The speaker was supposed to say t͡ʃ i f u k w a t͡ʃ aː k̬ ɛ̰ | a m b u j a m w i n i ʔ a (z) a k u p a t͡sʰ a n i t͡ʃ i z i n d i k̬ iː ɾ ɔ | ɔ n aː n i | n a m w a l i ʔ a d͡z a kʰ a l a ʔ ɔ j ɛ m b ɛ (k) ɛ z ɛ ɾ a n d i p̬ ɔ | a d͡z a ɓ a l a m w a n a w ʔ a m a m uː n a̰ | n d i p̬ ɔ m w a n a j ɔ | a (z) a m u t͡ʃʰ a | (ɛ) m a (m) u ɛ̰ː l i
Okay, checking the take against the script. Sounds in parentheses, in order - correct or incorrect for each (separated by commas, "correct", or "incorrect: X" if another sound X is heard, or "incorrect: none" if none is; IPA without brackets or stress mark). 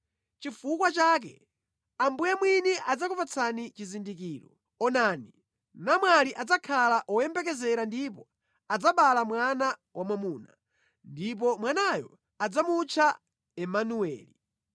incorrect: d͡z, correct, incorrect: d͡z, correct, incorrect: n